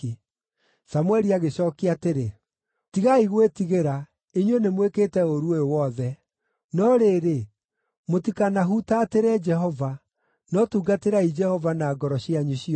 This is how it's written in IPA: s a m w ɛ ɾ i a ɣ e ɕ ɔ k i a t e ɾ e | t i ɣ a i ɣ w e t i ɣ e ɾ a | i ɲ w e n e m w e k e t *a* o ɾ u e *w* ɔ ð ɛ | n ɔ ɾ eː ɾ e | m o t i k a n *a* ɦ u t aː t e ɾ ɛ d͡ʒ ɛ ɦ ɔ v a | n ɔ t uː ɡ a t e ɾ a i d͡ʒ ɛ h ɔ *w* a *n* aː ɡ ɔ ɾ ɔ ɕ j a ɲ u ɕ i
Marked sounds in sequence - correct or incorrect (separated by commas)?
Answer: incorrect, correct, correct, incorrect, correct